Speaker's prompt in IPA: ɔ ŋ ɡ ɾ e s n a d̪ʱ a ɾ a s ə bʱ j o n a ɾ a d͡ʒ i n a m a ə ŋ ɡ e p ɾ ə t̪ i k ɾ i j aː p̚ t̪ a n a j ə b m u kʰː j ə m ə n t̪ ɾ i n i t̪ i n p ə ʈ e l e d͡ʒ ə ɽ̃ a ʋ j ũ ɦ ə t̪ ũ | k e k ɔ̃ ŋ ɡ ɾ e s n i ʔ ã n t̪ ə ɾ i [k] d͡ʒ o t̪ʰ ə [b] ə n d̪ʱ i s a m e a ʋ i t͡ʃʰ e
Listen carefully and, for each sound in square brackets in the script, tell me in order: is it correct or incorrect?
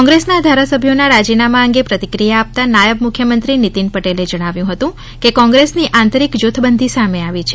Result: correct, correct

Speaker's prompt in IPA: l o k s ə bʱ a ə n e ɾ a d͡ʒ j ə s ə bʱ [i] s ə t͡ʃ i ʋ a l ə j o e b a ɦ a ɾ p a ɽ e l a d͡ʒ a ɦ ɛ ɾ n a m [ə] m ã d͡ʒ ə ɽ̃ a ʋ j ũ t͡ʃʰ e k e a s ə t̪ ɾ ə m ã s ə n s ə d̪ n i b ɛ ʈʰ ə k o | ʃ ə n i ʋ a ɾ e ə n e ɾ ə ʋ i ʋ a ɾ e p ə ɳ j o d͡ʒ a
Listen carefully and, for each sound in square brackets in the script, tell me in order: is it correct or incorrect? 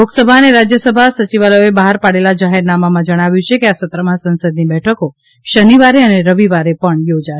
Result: incorrect: a, incorrect: a

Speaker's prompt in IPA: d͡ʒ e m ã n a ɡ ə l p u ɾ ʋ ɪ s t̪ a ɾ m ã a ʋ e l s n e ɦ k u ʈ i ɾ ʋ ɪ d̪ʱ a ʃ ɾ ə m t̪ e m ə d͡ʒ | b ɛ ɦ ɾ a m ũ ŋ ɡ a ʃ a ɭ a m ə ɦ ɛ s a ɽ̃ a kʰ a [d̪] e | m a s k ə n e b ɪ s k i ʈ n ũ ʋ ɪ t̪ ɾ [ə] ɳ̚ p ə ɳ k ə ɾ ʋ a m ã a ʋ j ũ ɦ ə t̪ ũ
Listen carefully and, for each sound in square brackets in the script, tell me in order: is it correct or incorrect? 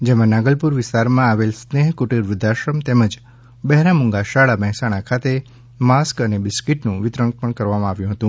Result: incorrect: t̪, correct

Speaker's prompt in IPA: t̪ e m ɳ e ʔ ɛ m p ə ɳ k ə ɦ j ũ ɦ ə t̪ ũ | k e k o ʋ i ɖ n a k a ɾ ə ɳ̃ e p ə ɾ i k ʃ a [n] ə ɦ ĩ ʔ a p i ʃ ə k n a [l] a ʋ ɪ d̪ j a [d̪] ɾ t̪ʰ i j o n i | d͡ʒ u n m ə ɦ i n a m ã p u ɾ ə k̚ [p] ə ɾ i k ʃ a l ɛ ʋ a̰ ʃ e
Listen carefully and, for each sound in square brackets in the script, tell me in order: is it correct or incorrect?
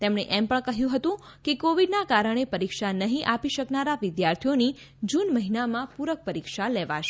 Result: correct, incorrect: ɾ, incorrect: none, correct

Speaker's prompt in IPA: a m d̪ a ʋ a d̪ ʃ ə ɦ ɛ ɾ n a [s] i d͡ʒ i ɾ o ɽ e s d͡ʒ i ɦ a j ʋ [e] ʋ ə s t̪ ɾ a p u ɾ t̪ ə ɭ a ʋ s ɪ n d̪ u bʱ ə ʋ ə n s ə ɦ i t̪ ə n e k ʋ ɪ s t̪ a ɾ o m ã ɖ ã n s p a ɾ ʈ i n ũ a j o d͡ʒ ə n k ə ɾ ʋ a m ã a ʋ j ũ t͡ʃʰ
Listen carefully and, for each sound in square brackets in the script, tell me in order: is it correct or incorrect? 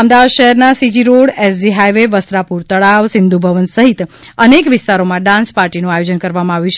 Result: correct, correct

